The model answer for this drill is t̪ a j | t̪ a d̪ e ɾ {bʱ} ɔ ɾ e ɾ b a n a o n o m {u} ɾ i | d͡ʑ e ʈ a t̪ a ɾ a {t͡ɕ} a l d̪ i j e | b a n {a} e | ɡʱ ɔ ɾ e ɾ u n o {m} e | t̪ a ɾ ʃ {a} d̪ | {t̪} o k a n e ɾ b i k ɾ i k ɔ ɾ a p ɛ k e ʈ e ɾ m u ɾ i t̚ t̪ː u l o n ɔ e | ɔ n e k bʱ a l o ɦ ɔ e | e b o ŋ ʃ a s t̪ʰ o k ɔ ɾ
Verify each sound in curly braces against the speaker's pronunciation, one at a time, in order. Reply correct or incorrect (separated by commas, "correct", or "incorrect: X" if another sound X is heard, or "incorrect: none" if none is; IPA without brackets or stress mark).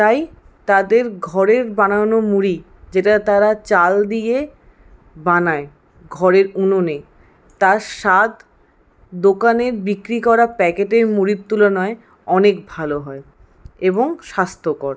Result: incorrect: ɡʱ, correct, correct, correct, incorrect: n, correct, incorrect: d̪